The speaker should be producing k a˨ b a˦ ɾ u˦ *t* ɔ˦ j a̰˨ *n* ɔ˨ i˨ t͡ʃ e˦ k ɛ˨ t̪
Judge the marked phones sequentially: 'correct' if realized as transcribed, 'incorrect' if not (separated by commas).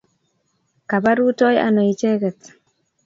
correct, correct